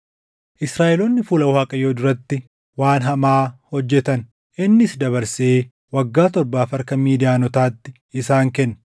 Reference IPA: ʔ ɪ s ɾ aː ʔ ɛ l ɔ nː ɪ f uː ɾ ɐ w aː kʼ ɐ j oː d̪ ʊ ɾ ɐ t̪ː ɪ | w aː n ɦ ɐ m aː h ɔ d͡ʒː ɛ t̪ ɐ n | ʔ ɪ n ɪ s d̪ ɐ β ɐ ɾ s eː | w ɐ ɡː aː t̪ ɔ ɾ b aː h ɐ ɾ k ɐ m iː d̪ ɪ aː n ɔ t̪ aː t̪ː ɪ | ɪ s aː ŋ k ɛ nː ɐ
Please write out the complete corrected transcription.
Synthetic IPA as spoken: ʔ ɪ s ɾ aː ʔ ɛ l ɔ nː ɪ f uː l ɐ w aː kʼ ɐ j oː d̪ ʊ ɾ ɐ t̪ː ɪ | w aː n ɦ ɐ m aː h ɔ d͡ʒː ɛ t̪ ɐ n | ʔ ɪ nː ɪ s d̪ ɐ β ɐ ɾ s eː | w ɐ ɡː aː t̪ ɔ ɾ b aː f ɐ ɾ k ɐ m iː d̪ ɪ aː n ɔ t̪ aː t̪ː ɪ | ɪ s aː ŋ k ɛ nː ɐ